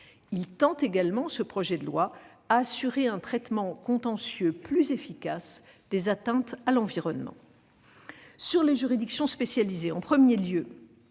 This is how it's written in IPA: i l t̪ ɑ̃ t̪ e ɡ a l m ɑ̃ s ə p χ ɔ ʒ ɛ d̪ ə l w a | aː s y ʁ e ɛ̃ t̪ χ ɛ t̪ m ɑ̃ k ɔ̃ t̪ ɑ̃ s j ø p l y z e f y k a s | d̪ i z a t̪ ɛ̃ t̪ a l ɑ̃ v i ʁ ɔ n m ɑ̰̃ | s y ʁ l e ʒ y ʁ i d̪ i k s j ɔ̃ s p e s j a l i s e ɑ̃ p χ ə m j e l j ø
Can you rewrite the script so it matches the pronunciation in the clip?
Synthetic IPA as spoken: i l t̪ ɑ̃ t̪ e ɡ a l m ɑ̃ s ə p χ ɔ ʒ ɛ d̪ ə l w a | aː s y ʁ e ɛ̃ t̪ χ ɛ t̪ m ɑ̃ k ɔ̃ t̪ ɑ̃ s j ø p l y z e f i k a s | d̪ e z a t̪ ɛ̃ t̪ a l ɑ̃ v i ʁ ɔ n m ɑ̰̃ | s y ʁ l e ʒ y ʁ i d̪ i k s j ɔ̃ s p e s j a l i z e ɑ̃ p χ ə m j e l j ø